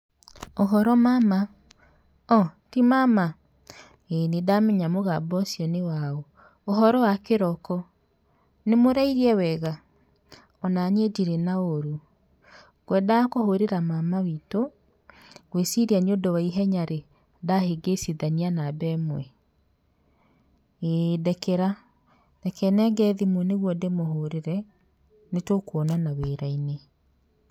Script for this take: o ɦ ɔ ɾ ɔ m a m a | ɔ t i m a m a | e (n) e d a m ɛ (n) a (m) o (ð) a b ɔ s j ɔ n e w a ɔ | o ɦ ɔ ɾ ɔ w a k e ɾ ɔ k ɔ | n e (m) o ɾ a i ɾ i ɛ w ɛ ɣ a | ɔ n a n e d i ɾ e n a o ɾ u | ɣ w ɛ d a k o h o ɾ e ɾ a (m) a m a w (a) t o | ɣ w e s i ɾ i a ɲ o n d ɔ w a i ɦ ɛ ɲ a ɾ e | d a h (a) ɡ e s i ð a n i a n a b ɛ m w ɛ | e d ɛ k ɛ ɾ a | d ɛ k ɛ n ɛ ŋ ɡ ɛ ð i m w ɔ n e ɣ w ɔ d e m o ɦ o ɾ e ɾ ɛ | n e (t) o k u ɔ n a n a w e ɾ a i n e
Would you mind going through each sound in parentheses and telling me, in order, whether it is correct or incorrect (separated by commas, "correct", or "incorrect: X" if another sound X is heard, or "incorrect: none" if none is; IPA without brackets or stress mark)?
correct, incorrect: ɲ, correct, incorrect: ɣ, correct, correct, incorrect: i, incorrect: e, correct